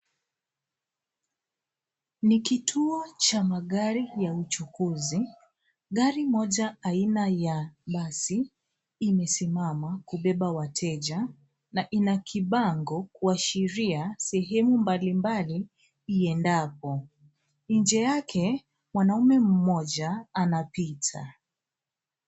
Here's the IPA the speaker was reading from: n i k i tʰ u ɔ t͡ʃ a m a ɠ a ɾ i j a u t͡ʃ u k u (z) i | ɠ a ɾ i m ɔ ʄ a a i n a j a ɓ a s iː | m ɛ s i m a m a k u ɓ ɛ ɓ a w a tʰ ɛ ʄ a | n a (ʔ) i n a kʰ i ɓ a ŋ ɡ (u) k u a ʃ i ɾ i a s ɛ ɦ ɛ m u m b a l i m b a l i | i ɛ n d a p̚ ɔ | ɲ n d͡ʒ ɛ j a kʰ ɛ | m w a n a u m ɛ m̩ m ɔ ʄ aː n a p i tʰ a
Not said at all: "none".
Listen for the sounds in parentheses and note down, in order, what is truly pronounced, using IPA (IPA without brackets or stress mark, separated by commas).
z, ʔ, ɔ